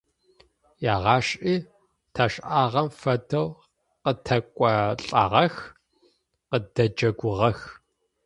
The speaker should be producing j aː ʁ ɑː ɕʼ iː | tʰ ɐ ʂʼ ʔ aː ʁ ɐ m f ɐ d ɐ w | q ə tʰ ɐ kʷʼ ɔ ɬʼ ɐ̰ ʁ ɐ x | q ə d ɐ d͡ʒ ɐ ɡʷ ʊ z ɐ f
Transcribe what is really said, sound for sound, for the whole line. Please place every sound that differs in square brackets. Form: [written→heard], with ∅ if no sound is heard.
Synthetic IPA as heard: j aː ʁ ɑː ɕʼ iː | tʰ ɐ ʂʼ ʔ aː ʁ ɐ m f ɐ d ɐ w | q ə tʰ ɐ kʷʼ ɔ ɬʼ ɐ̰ ʁ ɐ x | q ə d ɐ d͡ʒ ɐ ɡʷ ʊ [z→ʁ] ɐ [f→x]